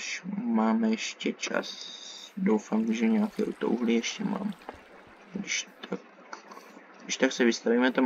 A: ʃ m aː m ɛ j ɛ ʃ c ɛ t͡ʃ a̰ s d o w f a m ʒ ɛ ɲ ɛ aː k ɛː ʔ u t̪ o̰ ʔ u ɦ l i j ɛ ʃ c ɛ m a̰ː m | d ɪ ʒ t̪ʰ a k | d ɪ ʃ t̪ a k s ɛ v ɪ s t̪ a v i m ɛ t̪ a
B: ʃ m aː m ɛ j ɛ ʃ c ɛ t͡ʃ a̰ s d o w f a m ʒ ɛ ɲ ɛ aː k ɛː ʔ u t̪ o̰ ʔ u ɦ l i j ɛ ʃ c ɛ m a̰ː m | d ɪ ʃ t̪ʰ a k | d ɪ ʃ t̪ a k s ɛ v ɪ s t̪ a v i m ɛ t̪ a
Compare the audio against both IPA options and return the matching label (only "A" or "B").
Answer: B